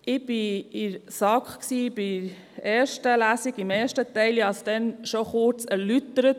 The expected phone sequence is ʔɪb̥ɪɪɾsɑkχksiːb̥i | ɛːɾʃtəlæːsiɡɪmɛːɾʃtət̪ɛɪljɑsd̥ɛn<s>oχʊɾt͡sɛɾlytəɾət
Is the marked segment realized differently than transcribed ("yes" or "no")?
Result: yes